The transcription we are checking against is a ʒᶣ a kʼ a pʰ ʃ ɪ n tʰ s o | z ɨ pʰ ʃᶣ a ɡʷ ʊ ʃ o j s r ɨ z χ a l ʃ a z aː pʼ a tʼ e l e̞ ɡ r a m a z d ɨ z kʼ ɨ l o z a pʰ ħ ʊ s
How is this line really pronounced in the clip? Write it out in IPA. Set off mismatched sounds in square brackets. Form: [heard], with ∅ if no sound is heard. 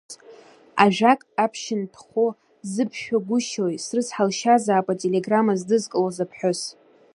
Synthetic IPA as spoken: a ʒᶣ a kʼ a pʰ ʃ ɪ n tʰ [χ] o | z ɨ pʰ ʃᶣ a ɡʷ ʊ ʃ o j s r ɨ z [ħ] a l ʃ a z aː pʼ a tʼ e l e̞ ɡ r a m a z d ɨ z kʼ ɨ l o z a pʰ ħ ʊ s